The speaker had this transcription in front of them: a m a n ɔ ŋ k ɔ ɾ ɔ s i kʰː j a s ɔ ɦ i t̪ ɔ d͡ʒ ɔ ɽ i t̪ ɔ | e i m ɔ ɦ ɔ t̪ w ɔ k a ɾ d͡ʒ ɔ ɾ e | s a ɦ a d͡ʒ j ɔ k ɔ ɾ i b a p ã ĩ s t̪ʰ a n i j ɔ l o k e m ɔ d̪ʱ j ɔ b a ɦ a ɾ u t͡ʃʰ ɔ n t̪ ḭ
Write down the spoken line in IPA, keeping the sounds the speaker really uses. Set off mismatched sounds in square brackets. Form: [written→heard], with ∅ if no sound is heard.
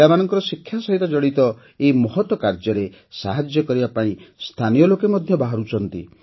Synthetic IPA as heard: a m a n ɔ ŋ k ɔ ɾ ɔ s i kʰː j a s ɔ ɦ i t̪ ɔ d͡ʒ ɔ ɽ i t̪ ɔ | e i m ɔ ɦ ɔ t̪ w ɔ k a ɾ d͡ʒ ɔ ɾ e | s a ɦ a d͡ʒ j ɔ k ɔ ɾ i b a p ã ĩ s t̪ʰ a n i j ɔ l o k e m ɔ d̪ʱ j ɔ b a ɦ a ɾ u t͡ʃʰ ɔ n t̪ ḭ